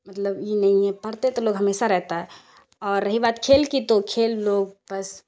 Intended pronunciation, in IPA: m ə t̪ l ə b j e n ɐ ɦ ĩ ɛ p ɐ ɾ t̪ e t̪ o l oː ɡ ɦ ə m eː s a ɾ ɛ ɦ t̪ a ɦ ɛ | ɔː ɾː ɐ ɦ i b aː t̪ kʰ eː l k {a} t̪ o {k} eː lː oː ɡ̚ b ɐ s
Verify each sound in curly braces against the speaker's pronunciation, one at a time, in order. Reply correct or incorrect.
incorrect: i, incorrect: kʰ

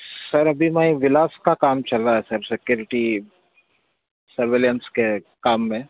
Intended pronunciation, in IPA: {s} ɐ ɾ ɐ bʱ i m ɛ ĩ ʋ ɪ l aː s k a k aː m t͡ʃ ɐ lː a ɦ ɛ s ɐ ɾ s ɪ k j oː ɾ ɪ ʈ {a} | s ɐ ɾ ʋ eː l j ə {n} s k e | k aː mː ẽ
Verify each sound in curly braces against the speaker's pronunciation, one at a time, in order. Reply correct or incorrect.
correct, incorrect: i, correct

